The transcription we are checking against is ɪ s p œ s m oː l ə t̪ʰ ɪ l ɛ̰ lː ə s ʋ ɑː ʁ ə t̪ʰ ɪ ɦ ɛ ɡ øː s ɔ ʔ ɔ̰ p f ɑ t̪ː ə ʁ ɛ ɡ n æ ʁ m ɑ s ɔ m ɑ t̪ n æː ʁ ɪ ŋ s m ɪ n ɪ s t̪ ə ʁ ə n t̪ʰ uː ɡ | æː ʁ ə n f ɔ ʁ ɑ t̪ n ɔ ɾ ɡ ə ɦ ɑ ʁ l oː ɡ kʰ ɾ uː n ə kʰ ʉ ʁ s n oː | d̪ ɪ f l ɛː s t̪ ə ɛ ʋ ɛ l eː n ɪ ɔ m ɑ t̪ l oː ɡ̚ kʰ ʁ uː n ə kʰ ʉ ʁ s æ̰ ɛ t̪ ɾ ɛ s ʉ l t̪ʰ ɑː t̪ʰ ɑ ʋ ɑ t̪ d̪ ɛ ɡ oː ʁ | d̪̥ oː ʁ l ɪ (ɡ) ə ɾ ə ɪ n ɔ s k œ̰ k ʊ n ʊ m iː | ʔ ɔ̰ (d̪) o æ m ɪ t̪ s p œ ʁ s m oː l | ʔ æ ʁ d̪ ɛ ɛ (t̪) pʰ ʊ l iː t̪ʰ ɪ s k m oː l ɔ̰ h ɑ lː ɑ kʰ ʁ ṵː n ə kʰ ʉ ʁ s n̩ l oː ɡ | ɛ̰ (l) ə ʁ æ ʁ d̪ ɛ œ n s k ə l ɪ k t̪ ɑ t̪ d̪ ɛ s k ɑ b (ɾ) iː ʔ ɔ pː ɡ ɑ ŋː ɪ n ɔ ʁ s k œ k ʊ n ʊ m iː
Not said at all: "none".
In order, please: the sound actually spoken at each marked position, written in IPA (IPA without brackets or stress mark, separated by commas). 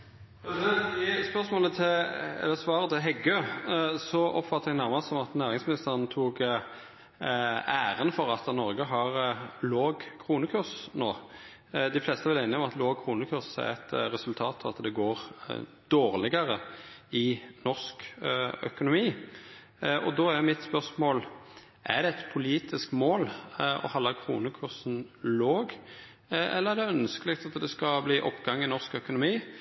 ɡ, d̪, t̪, lː, l